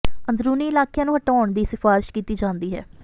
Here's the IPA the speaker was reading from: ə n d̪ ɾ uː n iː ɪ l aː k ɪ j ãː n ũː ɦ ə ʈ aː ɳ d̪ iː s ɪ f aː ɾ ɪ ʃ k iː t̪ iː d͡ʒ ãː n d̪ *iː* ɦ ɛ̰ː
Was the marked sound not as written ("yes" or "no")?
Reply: no